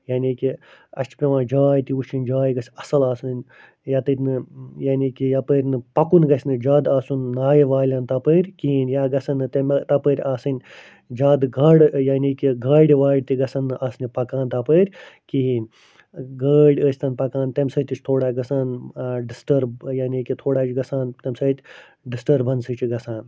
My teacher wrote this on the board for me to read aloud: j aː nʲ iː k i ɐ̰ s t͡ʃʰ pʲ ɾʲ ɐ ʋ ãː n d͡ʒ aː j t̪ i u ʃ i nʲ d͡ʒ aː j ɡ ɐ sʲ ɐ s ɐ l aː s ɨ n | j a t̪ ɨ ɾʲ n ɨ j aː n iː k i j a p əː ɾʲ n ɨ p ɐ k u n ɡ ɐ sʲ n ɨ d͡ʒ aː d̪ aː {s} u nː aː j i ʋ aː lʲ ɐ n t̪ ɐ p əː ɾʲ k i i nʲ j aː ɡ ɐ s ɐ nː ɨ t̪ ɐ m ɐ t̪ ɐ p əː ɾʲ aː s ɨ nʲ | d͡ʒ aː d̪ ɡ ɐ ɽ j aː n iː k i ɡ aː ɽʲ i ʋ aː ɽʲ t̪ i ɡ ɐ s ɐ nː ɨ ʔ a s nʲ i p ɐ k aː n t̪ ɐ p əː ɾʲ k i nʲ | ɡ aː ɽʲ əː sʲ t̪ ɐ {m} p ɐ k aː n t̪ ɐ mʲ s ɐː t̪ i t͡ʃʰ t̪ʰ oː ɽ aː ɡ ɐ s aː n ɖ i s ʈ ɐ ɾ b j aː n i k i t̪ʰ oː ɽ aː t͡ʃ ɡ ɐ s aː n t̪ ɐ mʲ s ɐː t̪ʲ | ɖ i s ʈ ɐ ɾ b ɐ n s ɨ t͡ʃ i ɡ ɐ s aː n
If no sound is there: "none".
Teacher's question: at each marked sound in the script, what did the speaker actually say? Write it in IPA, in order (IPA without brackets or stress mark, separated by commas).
s, n